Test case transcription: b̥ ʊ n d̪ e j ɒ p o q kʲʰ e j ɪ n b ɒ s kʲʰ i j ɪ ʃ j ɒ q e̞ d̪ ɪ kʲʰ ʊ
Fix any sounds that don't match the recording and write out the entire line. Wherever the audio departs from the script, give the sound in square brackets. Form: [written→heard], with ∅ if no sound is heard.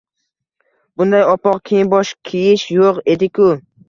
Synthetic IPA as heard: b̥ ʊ n d̪ [e→a] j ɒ p [o→ɒ] q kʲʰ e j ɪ n b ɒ [s→ʃ] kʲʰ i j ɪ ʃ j [ɒ→o] q e̞ d̪ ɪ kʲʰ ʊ